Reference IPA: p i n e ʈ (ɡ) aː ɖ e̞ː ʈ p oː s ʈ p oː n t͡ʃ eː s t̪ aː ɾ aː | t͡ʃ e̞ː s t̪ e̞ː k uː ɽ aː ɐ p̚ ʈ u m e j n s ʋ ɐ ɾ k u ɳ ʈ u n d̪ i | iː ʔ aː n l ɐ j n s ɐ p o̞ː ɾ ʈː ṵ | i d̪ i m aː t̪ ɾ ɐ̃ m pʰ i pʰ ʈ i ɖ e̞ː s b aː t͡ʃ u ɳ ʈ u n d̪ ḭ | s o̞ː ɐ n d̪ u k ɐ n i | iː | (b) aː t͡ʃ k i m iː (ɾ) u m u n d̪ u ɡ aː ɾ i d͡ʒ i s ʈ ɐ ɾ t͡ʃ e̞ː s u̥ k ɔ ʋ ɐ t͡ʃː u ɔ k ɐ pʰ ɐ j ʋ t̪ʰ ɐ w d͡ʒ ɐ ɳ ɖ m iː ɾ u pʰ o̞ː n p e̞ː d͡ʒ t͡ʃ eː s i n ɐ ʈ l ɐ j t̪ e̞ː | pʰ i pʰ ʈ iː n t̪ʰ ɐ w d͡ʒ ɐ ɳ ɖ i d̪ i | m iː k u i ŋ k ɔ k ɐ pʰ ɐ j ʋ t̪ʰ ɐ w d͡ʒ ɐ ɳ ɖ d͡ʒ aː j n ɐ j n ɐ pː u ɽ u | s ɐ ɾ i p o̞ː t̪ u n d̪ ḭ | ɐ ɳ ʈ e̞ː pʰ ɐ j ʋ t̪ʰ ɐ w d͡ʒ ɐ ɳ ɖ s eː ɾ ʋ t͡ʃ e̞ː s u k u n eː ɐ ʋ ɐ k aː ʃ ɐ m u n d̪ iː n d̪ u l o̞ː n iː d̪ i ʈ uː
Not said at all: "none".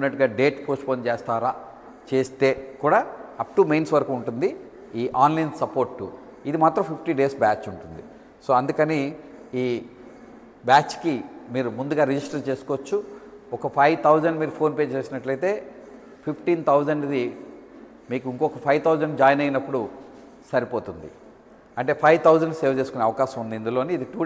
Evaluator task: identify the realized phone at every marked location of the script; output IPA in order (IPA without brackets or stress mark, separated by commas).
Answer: ɡ, b, ɾ